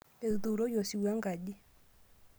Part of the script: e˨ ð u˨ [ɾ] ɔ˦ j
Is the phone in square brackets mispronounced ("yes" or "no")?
no